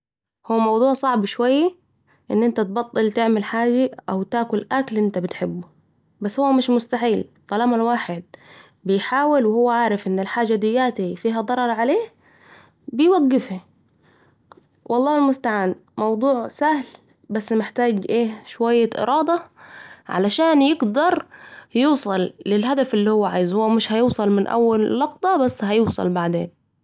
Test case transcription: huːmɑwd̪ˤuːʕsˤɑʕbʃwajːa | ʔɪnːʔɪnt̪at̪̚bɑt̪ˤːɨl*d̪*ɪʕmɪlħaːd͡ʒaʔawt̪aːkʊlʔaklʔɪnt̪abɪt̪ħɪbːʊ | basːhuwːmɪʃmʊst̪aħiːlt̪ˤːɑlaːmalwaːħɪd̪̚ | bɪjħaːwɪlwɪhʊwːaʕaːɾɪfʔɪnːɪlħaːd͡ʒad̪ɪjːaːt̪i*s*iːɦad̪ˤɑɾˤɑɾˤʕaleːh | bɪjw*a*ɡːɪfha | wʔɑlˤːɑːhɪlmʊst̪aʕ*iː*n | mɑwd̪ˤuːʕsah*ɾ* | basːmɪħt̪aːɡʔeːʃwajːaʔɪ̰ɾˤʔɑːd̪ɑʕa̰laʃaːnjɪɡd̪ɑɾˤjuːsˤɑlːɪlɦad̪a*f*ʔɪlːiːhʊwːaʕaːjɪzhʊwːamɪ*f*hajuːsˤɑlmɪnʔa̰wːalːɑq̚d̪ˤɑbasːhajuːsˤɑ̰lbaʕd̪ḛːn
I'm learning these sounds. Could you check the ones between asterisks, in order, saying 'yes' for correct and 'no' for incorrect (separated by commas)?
no, no, yes, no, no, yes, no